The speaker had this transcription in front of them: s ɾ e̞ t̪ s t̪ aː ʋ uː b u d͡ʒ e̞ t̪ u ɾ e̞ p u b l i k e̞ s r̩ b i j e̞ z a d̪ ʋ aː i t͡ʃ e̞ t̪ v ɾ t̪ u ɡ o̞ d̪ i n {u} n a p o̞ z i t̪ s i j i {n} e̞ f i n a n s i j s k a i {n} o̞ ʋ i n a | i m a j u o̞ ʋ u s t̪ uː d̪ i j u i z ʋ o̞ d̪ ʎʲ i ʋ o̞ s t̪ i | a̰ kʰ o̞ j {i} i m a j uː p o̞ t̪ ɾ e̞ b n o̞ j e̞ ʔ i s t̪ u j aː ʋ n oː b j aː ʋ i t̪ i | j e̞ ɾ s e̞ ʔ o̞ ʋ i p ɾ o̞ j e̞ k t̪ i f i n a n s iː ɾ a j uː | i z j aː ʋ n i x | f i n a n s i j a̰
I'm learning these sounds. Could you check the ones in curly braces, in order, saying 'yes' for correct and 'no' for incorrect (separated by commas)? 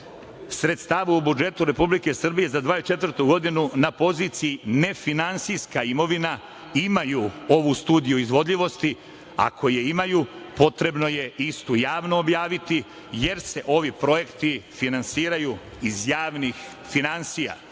yes, yes, no, no